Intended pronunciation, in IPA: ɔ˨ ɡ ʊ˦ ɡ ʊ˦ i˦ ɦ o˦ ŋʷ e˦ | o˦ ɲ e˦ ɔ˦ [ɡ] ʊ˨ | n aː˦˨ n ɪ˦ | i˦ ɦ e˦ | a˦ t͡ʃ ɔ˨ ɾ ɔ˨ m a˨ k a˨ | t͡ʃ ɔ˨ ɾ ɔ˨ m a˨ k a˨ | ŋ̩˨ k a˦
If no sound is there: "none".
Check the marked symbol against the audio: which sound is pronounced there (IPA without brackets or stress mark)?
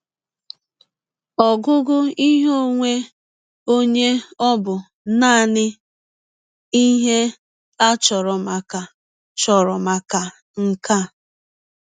b